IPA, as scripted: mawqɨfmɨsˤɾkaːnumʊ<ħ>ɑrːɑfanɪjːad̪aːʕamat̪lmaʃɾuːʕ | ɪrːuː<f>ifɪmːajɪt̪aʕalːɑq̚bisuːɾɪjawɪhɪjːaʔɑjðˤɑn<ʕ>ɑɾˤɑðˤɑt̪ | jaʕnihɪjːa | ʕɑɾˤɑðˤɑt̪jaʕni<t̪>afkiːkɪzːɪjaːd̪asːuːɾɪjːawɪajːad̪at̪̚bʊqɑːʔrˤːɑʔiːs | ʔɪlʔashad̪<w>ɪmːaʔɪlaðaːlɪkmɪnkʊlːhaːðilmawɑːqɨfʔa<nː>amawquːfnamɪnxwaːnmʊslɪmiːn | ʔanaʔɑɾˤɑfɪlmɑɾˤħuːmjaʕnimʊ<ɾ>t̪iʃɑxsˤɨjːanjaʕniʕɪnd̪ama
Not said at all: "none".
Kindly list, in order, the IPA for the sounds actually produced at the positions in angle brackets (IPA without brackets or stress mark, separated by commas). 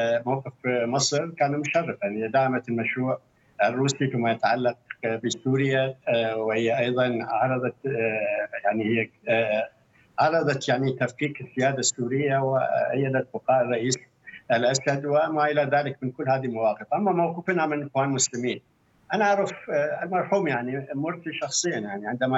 ʃ, s, ʕ, t̪, w, mː, ɾ